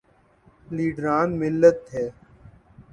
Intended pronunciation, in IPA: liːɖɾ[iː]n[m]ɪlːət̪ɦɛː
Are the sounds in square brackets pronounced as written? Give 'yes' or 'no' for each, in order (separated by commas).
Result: no, yes